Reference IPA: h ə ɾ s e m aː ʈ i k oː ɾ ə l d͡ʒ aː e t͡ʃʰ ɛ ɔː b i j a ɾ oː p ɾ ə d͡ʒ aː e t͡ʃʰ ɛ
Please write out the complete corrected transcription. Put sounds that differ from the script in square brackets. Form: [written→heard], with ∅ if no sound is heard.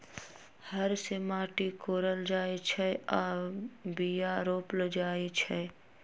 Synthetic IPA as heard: h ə ɾ s e m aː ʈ i k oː ɾ ə l d͡ʒ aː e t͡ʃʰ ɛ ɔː b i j a ɾ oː p [ɾ→l] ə d͡ʒ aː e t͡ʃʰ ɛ

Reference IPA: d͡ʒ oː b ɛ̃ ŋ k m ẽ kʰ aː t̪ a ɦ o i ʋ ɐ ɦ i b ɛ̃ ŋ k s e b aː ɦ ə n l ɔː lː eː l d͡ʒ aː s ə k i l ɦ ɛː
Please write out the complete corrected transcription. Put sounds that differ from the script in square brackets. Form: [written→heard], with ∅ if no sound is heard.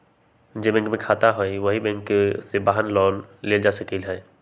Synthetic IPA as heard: d͡ʒ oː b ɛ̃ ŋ k m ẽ kʰ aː t̪ a ɦ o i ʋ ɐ ɦ i b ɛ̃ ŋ k s e b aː ɦ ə n l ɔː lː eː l d͡ʒ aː s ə k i l ɦ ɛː

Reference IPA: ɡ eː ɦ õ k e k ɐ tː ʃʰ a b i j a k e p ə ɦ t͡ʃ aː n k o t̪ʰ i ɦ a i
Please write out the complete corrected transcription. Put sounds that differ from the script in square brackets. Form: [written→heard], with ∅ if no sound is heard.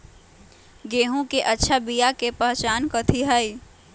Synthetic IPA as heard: ɡ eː ɦ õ k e [k→ʔ] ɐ tː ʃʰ a b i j a k e p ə ɦ t͡ʃ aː n k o t̪ʰ i ɦ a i

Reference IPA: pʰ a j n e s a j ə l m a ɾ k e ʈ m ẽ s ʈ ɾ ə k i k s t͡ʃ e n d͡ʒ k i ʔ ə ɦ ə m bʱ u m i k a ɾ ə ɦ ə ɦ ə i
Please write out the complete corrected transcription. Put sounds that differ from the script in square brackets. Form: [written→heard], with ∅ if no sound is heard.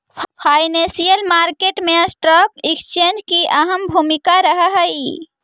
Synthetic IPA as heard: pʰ a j n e s [a→i] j ə l m a ɾ k e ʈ m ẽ s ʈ ɾ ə k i k s t͡ʃ e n d͡ʒ k i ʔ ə ɦ ə m bʱ u m i k a ɾ ə ɦ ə ɦ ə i

